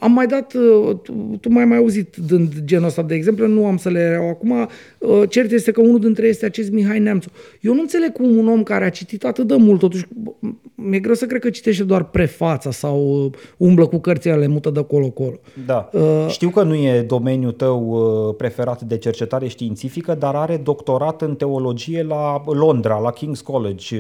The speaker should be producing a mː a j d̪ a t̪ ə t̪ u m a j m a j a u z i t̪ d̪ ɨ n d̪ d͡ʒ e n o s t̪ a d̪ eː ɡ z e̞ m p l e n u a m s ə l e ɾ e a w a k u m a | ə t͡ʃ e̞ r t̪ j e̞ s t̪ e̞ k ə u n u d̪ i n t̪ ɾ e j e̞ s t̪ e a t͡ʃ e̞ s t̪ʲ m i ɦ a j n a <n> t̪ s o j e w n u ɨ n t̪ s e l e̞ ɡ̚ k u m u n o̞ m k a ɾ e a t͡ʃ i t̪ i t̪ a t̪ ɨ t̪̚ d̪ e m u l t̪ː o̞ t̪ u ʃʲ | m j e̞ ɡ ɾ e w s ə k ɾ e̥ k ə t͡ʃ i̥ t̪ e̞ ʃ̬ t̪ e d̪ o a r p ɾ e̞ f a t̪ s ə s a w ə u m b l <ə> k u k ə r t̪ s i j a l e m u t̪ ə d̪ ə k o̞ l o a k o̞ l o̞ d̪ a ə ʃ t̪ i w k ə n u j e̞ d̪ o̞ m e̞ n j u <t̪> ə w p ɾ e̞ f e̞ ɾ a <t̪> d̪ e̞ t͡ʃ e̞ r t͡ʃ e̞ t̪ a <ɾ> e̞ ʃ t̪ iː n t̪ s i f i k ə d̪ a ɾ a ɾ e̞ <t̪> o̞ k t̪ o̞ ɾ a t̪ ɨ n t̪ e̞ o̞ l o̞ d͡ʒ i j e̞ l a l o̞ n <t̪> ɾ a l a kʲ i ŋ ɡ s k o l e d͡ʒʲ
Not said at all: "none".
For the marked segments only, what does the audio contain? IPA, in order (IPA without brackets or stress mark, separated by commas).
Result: m, ə, t̪, t̪, ɾ, d̪, d̪